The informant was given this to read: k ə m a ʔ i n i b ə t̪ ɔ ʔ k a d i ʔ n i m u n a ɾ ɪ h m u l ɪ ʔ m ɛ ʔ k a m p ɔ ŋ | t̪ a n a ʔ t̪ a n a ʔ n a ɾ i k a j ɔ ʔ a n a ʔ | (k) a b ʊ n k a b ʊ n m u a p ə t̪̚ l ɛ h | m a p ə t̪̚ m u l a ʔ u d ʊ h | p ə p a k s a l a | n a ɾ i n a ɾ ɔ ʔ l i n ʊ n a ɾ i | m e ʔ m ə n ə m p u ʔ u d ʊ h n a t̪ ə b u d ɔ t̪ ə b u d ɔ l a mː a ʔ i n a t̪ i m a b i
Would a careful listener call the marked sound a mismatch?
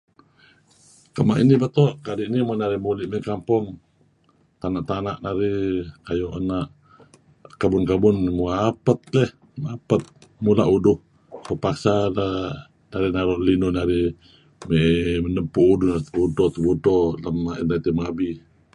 no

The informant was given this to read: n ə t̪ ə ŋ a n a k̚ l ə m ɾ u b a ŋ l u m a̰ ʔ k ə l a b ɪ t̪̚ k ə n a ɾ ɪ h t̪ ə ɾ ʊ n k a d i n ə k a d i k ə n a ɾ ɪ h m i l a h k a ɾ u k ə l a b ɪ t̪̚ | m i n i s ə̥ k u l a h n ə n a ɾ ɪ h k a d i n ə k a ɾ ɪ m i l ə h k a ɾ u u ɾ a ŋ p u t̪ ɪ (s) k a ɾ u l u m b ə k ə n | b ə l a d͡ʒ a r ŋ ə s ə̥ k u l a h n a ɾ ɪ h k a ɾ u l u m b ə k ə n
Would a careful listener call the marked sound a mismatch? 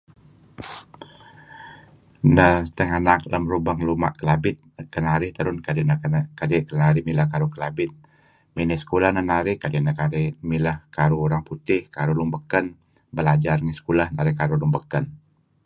yes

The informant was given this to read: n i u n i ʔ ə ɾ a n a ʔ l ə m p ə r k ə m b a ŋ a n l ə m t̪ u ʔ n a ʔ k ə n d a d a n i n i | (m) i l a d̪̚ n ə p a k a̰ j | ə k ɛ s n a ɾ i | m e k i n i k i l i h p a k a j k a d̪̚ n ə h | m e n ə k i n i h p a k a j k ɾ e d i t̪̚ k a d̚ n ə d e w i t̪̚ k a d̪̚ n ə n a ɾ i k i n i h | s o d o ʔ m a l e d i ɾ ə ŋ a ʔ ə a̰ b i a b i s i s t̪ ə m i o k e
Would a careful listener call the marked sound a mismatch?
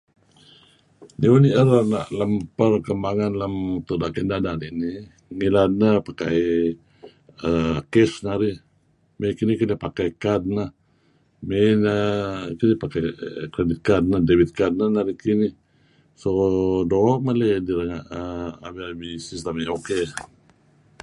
yes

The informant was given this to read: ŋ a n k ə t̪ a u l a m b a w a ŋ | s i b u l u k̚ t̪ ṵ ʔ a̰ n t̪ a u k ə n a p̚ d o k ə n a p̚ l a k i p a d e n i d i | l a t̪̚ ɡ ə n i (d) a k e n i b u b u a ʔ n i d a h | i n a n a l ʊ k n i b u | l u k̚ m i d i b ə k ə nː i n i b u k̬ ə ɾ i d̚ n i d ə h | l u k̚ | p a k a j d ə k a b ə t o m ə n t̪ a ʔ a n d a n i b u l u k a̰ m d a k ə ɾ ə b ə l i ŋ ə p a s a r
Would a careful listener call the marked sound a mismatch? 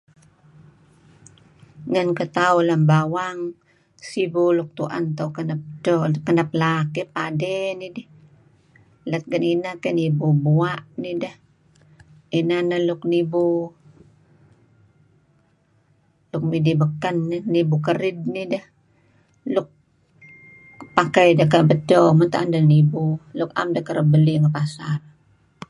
yes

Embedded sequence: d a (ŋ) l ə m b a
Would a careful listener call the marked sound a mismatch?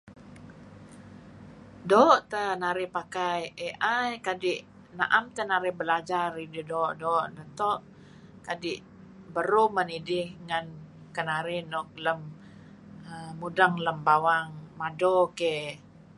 no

